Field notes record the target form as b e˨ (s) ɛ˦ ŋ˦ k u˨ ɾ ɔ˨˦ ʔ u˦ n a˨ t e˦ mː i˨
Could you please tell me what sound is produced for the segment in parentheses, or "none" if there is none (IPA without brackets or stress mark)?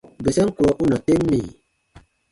s